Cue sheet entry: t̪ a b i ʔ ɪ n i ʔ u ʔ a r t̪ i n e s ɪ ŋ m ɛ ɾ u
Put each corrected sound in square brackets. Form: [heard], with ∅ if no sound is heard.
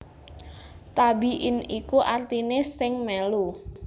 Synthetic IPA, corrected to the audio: t̪ a b i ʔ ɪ n i [k] u ʔ a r t̪ i n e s ɪ ŋ m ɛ [l] u